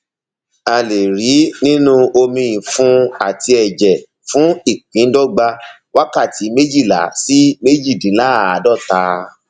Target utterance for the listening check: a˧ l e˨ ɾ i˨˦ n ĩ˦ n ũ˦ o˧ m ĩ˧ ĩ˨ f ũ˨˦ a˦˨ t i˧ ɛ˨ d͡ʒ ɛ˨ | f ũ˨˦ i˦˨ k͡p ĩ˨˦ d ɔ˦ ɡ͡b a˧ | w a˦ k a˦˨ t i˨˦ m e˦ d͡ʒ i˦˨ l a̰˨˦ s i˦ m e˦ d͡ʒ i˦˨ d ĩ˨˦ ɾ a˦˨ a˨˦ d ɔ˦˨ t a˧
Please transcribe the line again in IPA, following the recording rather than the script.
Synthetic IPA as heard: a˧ l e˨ ɾ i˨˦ n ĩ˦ n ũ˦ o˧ m ĩ˧ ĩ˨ f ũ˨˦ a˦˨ t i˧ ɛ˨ d͡ʒ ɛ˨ | f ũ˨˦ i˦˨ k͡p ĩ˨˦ d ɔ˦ ɡ͡b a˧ | w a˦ k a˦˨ t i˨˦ m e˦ d͡ʒ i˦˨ l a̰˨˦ s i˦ m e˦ d͡ʒ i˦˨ d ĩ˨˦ l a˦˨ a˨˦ d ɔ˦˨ t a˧